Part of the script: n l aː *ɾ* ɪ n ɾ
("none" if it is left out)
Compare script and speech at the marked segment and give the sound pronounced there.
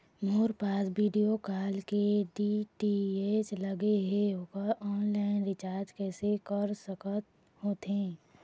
none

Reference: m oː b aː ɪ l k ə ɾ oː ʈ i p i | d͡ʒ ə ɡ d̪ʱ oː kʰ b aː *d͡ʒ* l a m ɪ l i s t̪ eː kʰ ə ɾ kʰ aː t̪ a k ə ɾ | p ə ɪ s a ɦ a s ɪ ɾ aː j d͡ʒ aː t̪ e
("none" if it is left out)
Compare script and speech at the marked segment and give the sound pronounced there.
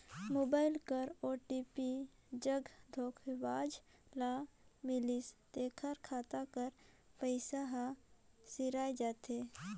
d͡ʒ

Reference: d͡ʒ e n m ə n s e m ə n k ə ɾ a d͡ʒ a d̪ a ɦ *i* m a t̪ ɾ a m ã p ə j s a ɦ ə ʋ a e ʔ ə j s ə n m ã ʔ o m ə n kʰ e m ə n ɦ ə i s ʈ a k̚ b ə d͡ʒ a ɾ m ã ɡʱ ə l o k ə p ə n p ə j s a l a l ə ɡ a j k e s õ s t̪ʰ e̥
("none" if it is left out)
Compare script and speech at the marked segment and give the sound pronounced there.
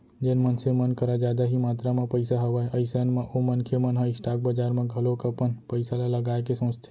i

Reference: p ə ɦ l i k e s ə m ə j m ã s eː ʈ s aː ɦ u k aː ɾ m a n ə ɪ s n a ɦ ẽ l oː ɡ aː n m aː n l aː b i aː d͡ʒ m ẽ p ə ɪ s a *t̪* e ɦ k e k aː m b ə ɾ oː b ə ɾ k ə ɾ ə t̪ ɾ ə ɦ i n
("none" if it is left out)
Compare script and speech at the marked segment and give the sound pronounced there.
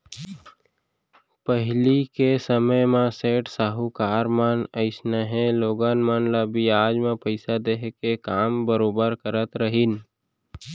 d̪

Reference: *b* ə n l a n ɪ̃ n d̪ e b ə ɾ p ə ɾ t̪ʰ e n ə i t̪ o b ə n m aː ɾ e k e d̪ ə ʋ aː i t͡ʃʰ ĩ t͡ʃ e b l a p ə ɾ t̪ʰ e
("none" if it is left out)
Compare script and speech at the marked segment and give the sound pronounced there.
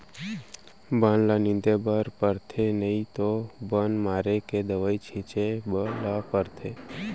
b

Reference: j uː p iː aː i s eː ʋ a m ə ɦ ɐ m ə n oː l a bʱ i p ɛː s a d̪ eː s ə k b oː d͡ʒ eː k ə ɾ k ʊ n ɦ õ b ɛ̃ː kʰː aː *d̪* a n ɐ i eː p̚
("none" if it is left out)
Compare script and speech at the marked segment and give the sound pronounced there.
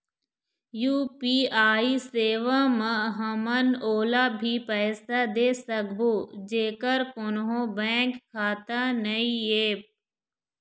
t̪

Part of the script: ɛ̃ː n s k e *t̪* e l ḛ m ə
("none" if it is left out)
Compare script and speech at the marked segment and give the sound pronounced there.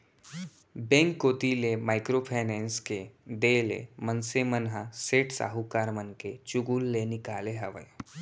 d̪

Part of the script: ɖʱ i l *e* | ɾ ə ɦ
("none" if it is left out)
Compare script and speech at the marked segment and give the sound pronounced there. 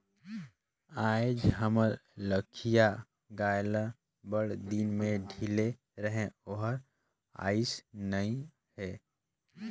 e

